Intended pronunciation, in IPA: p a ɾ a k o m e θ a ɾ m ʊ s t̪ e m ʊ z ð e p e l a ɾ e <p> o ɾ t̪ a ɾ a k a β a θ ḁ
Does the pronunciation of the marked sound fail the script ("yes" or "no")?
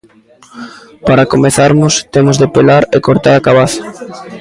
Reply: yes